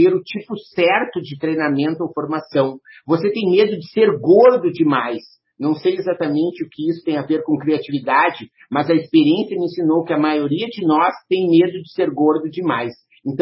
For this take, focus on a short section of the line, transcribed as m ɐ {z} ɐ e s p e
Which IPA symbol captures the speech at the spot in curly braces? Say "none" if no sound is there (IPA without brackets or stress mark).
z